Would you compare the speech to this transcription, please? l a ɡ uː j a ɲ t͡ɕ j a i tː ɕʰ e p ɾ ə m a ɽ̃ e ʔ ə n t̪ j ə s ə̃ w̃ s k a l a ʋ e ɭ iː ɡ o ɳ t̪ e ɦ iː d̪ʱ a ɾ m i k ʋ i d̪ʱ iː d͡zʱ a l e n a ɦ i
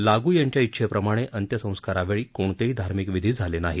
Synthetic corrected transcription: l a ɡ uː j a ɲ t͡ɕ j a i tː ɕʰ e p ɾ ə m a ɽ̃ e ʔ ə n t̪ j ə s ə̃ w̃ s k a ɾ a ʋ e ɭ iː k o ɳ t̪ e ɦ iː d̪ʱ a ɾ m i k ʋ i d̪ʱ iː d͡zʱ a l e n a ɦ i